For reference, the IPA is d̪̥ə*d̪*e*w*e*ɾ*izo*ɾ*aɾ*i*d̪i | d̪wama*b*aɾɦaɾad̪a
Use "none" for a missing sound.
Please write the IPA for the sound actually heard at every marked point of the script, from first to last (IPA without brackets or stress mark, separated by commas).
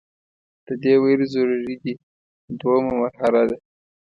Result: d̪, w, ɾ, ɾ, i, m